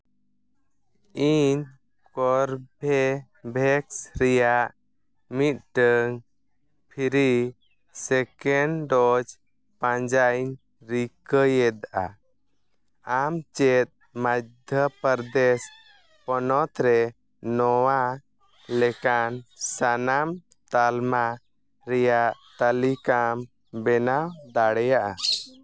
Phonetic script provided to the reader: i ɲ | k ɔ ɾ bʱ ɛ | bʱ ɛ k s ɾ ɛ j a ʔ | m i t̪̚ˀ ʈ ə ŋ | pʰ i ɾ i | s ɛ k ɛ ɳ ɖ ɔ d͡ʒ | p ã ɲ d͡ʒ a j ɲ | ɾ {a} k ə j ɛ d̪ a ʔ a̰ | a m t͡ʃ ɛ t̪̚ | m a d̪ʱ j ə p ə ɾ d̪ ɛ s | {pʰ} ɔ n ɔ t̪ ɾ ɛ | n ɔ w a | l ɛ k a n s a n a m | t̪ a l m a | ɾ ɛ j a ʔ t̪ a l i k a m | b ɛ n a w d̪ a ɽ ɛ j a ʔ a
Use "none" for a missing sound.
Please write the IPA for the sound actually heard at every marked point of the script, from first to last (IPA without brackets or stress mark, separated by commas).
i, p